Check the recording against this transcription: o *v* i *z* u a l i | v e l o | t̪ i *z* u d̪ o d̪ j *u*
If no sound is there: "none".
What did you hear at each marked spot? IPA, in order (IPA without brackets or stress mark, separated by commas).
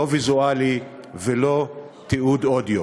v, z, none, o